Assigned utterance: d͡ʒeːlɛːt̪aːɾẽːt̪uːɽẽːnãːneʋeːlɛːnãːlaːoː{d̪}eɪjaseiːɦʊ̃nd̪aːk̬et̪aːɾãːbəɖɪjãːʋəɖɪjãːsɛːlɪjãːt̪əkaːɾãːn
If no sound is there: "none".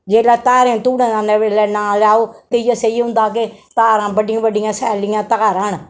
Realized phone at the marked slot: t̪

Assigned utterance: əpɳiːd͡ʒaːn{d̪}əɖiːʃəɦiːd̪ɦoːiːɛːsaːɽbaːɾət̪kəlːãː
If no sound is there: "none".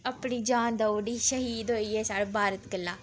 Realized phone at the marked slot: d̪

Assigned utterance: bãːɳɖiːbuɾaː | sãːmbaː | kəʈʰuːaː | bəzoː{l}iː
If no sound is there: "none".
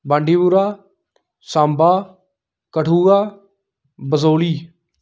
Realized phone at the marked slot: l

